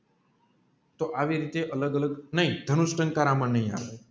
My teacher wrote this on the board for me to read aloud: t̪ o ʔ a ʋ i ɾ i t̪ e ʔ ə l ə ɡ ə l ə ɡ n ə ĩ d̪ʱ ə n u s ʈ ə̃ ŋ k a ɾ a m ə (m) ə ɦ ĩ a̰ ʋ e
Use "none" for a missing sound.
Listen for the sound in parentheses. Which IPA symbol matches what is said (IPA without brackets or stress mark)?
n